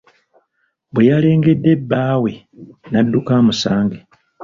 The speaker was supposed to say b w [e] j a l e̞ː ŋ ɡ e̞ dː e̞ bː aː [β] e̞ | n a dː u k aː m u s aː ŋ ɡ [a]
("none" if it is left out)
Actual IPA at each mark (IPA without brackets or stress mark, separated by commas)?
e, w, e